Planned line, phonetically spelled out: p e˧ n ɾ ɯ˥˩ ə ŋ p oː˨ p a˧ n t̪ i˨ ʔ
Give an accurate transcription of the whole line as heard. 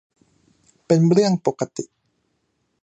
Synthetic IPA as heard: p e˧ n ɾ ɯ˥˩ ə ŋ p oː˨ k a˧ t̪ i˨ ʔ